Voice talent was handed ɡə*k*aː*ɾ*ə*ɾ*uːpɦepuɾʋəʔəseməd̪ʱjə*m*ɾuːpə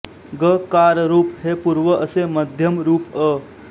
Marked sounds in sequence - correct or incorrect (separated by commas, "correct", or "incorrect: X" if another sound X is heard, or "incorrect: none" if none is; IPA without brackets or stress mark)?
correct, correct, correct, correct